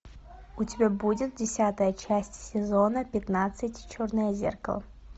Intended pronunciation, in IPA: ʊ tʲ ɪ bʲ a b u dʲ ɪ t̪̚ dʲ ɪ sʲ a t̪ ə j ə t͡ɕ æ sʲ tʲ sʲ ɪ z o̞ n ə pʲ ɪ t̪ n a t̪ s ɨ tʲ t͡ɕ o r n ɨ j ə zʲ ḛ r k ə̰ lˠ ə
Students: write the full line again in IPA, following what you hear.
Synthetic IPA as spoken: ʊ tʲ ɪ bʲ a b u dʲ ɪ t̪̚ dʲ ɪ sʲ a t̪ ə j ə t͡ɕ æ sʲ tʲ sʲ ɪ z o̞ n ə pʲ ɪ t̪ n a t̪ s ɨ tʲ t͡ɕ o r n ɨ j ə zʲ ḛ r k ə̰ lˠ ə